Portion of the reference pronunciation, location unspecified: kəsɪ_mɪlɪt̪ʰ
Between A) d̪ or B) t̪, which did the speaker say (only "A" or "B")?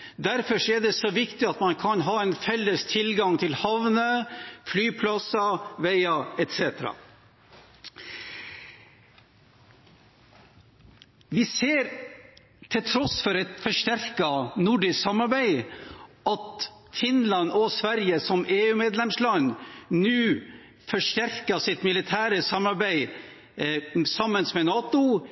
B